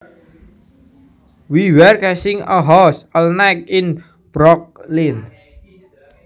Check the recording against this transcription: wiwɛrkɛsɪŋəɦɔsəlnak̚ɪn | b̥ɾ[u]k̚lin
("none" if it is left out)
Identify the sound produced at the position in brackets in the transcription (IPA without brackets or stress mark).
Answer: ɔ